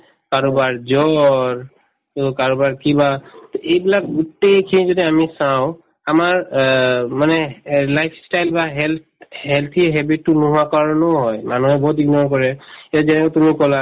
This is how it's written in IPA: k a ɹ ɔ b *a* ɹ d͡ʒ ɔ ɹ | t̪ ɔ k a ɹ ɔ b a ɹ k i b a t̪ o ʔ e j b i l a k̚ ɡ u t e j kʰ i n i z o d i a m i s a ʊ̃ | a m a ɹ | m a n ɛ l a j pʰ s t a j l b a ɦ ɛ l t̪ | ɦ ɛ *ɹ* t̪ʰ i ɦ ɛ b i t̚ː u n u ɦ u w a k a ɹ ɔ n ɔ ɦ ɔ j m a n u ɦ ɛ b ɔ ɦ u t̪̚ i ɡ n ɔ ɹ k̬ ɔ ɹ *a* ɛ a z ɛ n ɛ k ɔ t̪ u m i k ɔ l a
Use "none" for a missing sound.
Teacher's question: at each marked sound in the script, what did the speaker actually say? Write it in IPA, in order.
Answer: a, l, ɛ

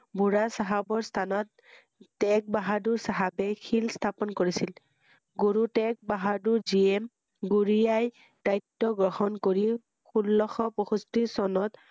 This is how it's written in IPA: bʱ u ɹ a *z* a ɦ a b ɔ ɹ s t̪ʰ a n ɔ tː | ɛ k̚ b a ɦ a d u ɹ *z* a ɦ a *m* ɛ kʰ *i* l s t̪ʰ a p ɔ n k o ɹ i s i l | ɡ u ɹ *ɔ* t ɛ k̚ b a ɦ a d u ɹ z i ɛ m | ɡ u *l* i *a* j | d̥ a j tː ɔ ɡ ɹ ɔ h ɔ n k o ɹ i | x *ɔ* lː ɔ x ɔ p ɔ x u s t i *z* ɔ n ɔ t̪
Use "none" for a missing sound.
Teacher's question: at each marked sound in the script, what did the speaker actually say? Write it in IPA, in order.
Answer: s, s, b, i, u, ɹ, a, u, s

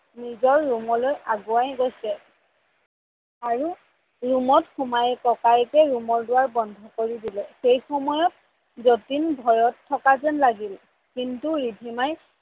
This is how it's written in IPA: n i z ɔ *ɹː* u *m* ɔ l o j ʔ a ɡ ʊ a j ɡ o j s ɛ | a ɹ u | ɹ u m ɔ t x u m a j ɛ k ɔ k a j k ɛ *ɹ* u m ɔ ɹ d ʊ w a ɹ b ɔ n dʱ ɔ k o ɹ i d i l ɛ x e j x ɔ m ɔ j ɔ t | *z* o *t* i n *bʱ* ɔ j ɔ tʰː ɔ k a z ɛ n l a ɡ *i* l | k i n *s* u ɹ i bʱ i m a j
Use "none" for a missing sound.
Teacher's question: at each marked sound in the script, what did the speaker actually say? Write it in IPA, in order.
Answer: ɹː, m, ɹ, z, t, bʱ, i, t

